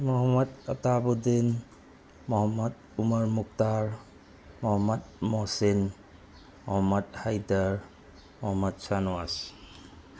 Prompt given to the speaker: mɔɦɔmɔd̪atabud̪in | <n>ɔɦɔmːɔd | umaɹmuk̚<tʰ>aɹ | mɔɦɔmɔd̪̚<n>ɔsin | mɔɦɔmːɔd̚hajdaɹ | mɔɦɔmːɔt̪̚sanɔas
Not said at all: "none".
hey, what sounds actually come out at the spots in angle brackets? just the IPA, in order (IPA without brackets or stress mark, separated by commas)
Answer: m, t, m